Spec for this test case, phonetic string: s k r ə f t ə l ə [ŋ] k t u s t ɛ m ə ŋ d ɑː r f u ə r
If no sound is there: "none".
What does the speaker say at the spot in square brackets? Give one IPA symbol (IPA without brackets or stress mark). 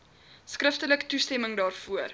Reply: none